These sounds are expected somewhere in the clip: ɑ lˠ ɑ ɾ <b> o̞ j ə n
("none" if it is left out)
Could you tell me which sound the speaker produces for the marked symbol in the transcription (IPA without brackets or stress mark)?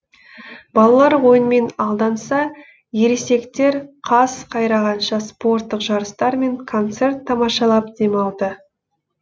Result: w